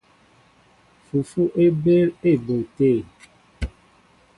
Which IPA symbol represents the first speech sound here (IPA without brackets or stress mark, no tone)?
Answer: f